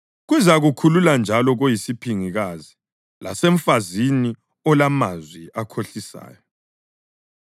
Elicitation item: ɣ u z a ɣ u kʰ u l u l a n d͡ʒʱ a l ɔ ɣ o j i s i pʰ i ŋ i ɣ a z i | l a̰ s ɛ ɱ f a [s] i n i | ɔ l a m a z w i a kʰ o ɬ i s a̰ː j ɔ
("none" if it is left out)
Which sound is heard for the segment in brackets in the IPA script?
z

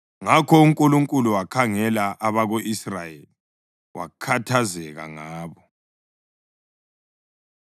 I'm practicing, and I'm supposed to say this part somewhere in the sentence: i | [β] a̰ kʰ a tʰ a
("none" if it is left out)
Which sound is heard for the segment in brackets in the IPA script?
w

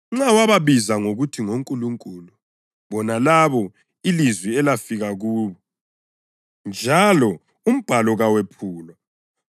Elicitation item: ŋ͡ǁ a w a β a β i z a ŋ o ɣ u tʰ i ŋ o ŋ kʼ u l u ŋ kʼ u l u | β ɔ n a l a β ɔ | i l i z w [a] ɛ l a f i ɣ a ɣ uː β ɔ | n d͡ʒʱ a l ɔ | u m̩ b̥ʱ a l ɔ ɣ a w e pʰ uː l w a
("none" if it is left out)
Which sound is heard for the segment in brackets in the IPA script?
i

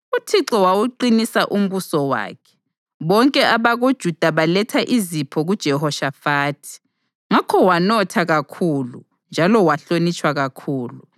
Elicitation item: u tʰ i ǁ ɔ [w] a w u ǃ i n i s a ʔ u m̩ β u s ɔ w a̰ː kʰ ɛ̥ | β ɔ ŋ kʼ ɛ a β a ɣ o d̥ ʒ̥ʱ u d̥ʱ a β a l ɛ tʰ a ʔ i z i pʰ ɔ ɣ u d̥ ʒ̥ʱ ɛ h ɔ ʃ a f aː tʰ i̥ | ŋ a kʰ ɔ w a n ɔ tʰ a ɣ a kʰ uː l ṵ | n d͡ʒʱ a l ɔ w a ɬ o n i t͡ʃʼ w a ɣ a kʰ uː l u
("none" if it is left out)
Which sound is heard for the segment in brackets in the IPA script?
w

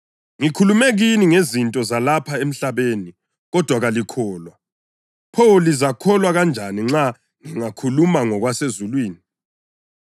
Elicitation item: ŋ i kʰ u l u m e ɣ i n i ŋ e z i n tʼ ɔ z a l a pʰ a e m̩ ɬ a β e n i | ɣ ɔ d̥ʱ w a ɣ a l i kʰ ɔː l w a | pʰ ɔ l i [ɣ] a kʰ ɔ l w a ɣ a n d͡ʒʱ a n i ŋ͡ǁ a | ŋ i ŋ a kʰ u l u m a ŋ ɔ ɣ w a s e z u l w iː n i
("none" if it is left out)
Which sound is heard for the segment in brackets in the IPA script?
z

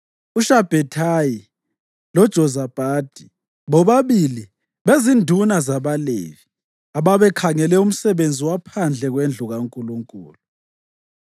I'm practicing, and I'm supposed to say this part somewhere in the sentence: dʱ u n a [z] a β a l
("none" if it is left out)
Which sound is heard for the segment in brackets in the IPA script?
z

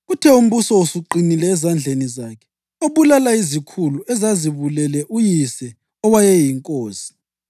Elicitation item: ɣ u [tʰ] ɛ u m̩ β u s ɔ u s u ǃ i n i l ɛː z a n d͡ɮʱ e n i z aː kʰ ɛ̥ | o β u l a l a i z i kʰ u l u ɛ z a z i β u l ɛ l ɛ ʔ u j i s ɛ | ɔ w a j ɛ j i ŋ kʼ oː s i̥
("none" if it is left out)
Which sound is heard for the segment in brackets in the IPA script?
tʰ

